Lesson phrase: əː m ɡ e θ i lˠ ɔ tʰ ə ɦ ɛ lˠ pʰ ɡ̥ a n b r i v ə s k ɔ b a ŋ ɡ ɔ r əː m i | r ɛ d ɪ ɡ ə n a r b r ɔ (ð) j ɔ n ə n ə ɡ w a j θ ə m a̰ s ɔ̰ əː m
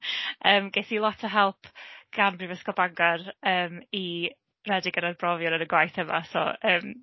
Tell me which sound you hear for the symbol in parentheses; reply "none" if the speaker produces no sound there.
v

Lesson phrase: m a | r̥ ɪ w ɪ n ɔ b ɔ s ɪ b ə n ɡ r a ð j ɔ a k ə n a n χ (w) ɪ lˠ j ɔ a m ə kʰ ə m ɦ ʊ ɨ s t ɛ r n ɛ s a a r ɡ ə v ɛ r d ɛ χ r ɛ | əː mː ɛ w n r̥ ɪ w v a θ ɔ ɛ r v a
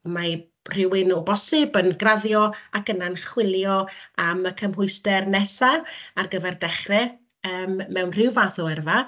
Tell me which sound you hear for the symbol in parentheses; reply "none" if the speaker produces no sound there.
w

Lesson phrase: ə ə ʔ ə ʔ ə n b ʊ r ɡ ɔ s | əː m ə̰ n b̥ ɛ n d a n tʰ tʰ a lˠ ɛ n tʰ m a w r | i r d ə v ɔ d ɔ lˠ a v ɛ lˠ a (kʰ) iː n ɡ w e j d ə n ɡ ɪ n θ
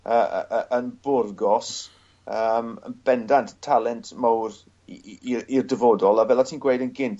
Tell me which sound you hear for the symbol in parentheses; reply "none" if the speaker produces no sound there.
tʰ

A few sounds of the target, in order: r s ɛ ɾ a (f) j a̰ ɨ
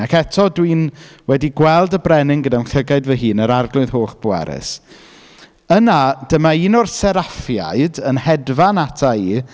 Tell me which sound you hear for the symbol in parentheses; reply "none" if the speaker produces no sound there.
f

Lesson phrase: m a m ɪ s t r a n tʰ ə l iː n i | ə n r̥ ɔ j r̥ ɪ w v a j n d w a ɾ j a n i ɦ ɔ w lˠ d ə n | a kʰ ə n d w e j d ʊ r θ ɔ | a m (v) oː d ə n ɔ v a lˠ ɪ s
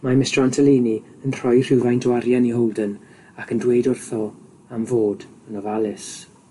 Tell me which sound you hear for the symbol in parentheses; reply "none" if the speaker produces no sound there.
v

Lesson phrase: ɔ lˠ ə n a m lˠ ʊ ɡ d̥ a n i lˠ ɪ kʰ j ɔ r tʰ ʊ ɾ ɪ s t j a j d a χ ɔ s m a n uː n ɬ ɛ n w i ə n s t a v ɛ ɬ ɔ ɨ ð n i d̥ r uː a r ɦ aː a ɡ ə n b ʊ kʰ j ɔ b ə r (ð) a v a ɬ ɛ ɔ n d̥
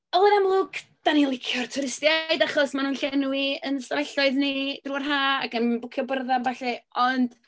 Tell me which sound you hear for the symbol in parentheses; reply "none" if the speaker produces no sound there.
ð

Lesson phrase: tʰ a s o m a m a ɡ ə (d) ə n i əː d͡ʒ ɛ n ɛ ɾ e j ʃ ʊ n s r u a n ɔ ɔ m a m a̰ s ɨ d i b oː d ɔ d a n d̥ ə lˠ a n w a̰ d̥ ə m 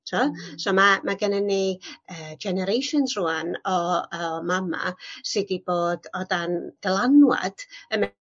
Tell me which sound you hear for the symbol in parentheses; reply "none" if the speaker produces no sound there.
n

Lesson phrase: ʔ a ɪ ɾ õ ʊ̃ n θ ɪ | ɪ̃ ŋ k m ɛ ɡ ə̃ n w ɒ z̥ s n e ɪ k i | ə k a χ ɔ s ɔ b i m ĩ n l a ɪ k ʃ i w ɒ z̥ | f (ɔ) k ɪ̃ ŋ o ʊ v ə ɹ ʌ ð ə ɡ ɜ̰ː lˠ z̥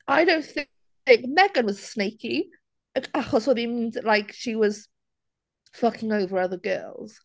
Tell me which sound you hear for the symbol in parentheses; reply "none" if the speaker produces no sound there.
ʌ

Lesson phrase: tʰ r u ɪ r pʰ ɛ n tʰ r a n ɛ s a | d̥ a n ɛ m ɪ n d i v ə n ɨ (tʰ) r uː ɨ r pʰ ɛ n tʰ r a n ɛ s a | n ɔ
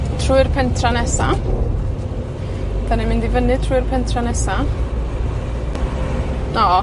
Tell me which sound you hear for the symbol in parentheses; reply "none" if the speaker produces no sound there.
tʰ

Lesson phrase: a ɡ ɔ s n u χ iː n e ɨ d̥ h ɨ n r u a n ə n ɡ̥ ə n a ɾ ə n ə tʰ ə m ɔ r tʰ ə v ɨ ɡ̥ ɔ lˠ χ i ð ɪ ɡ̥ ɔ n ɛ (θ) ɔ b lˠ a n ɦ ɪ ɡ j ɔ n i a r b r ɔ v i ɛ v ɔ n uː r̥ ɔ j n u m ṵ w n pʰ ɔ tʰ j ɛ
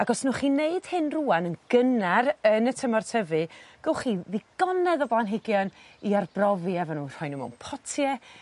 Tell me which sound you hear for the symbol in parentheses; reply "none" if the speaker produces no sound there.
ð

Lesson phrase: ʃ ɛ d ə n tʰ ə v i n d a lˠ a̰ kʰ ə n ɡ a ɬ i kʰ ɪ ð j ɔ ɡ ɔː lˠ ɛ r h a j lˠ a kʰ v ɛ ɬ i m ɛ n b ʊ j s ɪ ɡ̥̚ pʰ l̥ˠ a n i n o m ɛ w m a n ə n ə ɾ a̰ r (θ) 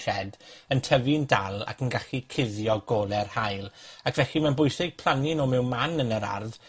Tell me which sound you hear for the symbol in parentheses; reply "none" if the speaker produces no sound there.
ð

